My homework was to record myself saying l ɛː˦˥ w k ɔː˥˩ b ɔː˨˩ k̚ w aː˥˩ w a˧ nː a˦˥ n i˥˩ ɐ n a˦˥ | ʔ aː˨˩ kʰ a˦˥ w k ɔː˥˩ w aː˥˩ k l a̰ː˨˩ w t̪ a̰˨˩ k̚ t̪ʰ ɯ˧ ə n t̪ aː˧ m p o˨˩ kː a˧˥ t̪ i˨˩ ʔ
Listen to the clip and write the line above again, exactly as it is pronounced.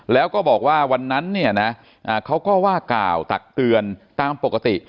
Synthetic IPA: l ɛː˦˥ w k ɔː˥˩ b ɔː˨˩ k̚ w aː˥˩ w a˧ nː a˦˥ nː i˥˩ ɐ n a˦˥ | ʔ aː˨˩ kʰ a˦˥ w k ɔː˥˩ w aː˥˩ k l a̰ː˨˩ w t̪ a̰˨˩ k̚ t̪ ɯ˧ ə n t̪ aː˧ m p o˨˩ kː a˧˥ t̪ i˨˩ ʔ